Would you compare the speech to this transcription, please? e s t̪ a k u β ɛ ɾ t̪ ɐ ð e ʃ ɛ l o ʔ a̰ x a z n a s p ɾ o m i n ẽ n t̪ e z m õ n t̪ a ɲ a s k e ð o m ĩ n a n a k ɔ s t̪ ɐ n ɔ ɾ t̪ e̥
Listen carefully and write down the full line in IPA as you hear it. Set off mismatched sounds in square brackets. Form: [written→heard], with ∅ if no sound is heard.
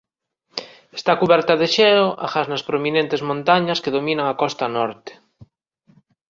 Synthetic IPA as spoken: e s t̪ a k u β ɛ ɾ t̪ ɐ ð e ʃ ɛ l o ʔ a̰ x a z n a s p ɾ o m i n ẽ n t̪ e z m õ n t̪ a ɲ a s k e ð o m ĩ n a [n→ŋ] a k ɔ s t̪ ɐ n ɔ ɾ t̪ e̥